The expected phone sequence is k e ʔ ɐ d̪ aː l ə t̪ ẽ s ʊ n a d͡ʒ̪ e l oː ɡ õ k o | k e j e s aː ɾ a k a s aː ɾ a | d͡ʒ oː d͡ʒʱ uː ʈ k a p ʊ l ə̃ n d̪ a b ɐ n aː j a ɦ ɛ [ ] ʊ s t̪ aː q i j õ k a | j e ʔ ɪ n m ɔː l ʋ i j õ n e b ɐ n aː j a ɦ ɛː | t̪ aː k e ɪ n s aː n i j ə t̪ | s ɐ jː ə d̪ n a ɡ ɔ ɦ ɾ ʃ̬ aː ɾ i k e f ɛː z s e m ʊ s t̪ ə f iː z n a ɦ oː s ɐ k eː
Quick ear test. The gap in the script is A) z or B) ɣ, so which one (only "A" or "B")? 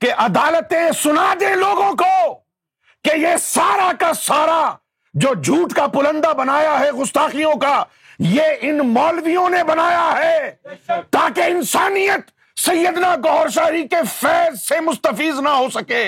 B